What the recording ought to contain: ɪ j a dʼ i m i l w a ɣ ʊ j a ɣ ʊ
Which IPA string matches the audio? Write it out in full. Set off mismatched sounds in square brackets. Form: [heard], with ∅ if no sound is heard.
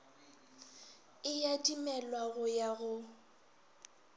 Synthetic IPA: ɪ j a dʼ i m [ɛ] l w a ɣ ʊ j a ɣ ʊ